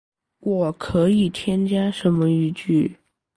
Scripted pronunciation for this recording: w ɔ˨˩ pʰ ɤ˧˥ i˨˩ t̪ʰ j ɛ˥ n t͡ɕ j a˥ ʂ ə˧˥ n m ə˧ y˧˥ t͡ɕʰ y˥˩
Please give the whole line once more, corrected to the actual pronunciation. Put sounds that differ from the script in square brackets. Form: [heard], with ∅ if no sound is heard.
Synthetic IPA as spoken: w ɔ˨˩ [kʰ] ɤ˧˥ i˨˩ t̪ʰ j ɛ˥ n t͡ɕ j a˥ ʂ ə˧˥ n m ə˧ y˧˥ [t͡ɕ] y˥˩